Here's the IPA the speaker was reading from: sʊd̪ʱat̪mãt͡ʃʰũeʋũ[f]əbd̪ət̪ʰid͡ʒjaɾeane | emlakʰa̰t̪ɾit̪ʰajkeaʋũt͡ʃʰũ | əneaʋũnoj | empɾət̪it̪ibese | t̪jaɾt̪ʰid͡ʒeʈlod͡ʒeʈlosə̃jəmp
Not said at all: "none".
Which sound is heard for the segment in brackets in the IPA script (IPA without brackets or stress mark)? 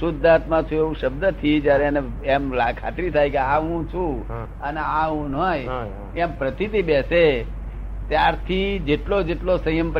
ʃ